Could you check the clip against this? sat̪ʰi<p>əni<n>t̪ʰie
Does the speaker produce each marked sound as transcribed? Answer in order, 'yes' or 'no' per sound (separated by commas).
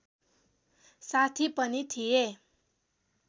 yes, no